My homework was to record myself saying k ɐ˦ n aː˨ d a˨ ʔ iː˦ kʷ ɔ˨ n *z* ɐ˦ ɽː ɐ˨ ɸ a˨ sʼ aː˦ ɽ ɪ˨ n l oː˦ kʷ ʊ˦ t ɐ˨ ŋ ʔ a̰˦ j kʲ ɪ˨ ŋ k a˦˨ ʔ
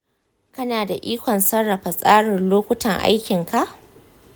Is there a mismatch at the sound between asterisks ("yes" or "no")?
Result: yes